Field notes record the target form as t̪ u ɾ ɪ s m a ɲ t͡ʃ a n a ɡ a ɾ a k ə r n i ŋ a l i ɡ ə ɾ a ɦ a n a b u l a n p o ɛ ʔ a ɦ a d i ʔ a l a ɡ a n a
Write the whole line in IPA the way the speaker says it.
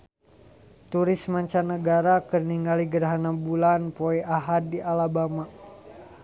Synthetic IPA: t̪ u ɾ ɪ s m a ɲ t͡ʃ a n ə ɡ a ɾ a k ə r n i ŋ a l i ɡ ə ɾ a ɦ a n a b u l a n p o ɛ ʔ a ɦ a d i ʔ a l a b a m a